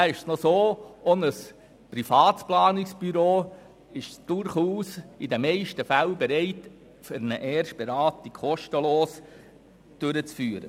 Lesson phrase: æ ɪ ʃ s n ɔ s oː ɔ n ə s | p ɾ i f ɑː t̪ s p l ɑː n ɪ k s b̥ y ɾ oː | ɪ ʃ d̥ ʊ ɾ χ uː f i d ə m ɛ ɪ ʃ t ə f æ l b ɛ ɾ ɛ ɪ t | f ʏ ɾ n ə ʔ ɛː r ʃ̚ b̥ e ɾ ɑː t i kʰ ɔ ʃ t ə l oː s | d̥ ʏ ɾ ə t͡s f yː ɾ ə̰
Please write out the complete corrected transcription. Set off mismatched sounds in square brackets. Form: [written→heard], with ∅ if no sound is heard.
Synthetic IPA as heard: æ ɪ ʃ s n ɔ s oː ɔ n ə s | p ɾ i f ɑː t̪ s p l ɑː n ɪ k s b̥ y ɾ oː | ɪ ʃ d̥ ʊ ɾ χ uː [f→s] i d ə m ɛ ɪ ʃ t ə f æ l b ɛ ɾ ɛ ɪ t | f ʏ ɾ n ə ʔ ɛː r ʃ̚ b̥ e ɾ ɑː t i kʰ ɔ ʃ t ə l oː s | d̥ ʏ ɾ ə t͡s f yː ɾ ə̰